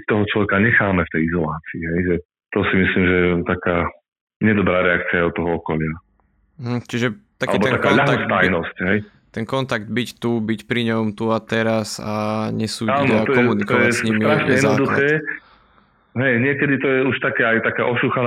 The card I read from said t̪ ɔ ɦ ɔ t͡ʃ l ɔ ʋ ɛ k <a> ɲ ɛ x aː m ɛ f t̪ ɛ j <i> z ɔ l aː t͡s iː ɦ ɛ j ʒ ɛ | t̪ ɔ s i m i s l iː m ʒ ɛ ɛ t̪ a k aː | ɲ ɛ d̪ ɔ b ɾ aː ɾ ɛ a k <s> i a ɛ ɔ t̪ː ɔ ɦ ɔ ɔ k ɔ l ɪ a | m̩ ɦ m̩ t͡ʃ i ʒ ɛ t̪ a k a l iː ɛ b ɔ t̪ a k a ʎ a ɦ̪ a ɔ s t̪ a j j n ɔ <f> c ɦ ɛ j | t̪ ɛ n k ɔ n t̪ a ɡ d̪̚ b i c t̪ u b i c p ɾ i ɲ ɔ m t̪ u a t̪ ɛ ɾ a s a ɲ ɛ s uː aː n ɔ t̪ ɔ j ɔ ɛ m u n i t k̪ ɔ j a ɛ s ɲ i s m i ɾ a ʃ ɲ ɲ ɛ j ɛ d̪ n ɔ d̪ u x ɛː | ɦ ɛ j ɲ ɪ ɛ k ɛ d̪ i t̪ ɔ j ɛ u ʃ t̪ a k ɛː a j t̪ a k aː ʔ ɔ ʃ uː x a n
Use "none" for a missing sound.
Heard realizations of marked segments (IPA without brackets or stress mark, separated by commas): a, i, t͡s, s